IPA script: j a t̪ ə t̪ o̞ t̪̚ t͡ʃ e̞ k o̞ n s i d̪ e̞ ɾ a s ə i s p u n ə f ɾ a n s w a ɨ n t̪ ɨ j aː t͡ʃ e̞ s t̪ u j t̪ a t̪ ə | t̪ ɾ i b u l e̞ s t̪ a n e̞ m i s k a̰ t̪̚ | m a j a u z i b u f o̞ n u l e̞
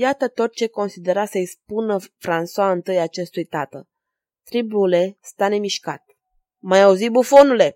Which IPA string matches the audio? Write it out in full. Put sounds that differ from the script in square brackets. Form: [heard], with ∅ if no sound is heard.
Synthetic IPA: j a t̪ ə t̪ o̞ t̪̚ t͡ʃ e̞ k o̞ n s i d̪ e̞ ɾ a s ə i s p u n ə f ɾ a n s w a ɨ n t̪ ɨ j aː t͡ʃ e̞ s t̪ u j t̪ a t̪ ə | t̪ ɾ i b u l e̞ s t̪ a n e̞ m i [ʃ] k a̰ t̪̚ | m a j a u z i b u f o̞ n u l e̞